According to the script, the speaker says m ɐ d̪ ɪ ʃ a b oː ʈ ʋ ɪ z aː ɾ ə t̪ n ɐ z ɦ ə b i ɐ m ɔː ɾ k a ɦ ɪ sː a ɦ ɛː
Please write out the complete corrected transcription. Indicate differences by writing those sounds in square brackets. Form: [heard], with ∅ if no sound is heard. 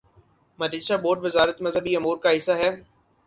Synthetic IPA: m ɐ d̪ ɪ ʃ a b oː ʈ ʋ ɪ z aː ɾ ə t̪ [m] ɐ z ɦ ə b i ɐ m [uː] ɾ k a ɦ ɪ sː a ɦ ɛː